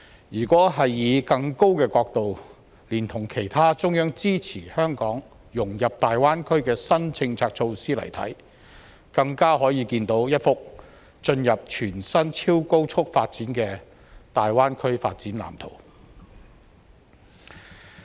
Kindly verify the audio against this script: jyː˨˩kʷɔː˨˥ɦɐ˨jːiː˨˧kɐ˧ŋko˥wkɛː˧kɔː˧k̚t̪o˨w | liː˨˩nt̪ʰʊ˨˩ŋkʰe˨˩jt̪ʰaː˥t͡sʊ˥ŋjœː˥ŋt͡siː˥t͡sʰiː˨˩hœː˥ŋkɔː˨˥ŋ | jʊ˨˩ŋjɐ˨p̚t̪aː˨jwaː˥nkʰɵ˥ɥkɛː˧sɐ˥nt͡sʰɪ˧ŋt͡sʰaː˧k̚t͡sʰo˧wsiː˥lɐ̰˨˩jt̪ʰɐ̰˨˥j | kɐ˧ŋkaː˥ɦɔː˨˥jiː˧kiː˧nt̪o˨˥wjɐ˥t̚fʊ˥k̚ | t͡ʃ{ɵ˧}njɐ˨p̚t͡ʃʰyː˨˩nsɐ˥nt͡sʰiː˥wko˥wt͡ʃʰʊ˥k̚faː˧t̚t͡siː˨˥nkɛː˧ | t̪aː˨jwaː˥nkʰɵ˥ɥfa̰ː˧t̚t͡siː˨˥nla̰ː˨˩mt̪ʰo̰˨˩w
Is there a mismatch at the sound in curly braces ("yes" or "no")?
no